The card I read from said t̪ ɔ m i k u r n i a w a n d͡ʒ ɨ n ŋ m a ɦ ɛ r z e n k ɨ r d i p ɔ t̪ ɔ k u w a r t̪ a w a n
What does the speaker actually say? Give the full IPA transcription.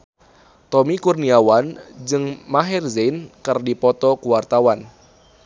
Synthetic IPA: t̪ ɔ m i k u r n i a w a n d͡ʒ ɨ ŋ m a ɦ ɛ r z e n k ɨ r d i p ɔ t̪ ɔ k u w a r t̪ a w a n